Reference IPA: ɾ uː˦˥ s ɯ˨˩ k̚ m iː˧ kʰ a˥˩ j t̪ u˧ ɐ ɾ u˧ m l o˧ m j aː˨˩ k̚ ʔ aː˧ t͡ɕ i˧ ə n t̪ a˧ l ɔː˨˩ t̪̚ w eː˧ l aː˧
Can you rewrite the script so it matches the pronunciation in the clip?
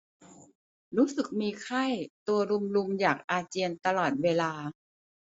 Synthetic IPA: ɾ uː˦˥ s ɯ˨˩ k̚ m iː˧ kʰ a˥˩ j t̪ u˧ ɐ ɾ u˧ m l u˧ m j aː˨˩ k̚ ʔ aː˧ t͡ɕ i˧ ə n t̪ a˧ l ɔː˨˩ t̪̚ w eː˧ l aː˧